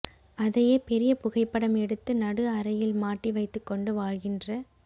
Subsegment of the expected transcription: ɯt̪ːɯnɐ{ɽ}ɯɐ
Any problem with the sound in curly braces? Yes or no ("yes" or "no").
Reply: no